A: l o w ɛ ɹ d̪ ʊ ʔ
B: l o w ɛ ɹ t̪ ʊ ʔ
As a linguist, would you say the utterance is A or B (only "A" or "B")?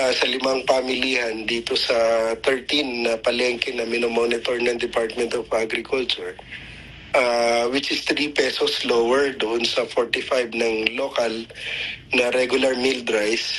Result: A